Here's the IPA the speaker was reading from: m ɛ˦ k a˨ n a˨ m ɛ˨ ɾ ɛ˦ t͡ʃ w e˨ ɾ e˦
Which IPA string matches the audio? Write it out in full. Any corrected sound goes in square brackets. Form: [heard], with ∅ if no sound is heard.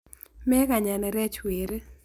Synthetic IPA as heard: m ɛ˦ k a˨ [ɲ] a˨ [n] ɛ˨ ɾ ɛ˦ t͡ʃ w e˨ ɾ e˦